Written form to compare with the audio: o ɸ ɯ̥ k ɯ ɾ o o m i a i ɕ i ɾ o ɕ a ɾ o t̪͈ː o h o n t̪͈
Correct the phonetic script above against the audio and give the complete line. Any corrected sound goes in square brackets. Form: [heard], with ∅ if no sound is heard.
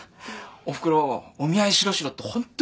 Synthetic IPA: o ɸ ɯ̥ k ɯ ɾ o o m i a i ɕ i ɾ o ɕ [i] ɾ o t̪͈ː o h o n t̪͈